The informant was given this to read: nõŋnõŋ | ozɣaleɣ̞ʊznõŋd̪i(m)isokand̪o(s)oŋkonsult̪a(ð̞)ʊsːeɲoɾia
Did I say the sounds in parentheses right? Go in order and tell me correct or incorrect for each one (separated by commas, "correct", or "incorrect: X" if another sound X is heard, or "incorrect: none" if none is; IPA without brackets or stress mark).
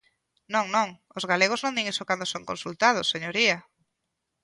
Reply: incorrect: ŋ, correct, correct